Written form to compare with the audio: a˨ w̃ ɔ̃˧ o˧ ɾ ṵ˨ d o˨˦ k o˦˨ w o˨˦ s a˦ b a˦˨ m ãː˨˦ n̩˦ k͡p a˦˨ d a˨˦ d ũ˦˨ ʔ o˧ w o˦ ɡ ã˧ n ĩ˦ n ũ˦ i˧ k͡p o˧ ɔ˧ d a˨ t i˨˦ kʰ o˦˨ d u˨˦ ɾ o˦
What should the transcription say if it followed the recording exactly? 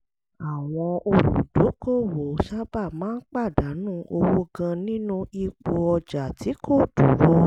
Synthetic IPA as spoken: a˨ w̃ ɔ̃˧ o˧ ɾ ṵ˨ d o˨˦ k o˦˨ w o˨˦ ʃ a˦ b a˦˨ m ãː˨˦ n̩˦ k͡p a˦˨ d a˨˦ n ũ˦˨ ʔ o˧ w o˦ ɡ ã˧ n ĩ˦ n ũ˦ i˧ k͡p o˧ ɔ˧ d͡ʒ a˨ t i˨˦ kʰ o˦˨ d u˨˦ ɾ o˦